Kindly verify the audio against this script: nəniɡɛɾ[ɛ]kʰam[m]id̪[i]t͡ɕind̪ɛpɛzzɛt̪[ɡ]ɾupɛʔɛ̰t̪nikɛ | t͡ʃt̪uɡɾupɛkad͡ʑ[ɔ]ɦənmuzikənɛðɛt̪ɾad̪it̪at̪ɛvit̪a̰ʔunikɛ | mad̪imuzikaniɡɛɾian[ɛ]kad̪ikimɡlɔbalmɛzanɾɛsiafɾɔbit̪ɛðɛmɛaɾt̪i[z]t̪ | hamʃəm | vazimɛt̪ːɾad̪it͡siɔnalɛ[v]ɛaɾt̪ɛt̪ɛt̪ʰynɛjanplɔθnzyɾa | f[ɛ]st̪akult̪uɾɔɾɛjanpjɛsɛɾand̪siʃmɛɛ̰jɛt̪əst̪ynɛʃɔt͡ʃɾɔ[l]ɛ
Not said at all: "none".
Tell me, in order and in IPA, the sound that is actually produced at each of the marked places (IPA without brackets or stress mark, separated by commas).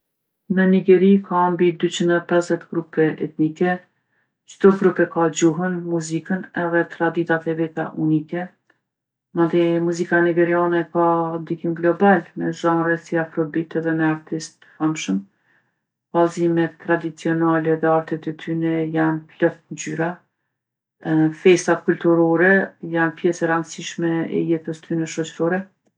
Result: i, b, y, ɡ, u, ɛ, s, ð, ɛ, ɾ